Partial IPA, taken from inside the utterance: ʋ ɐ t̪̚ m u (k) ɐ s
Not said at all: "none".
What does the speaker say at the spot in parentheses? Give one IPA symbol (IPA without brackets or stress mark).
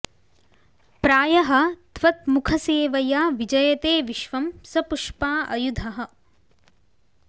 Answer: kʰ